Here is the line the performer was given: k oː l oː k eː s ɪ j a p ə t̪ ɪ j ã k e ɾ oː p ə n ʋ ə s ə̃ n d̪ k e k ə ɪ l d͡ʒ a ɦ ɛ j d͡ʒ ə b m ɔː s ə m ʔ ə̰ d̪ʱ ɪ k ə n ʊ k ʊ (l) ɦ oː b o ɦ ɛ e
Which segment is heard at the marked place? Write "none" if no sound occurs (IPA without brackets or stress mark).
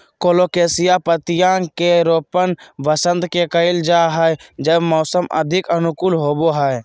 l